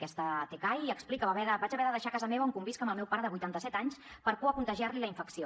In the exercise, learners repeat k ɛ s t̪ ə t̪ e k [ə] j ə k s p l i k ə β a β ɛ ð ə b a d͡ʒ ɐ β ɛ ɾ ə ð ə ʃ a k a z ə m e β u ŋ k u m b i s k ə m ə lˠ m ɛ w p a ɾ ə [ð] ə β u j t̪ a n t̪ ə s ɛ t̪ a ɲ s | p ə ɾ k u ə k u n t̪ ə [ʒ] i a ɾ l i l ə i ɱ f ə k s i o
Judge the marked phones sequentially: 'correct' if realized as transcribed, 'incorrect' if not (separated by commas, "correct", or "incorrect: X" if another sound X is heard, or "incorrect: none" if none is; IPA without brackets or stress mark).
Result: incorrect: a, correct, correct